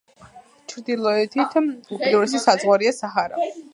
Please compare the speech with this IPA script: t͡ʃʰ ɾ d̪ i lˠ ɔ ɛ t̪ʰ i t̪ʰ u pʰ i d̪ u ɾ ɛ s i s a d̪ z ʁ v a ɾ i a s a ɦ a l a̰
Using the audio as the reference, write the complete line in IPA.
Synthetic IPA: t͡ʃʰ ɾ d̪ i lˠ ɔ ɛ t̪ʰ i t̪ʰ u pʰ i d̪ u ɾ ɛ s i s a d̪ z ʁ w a ɾ i a s a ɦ a ɾ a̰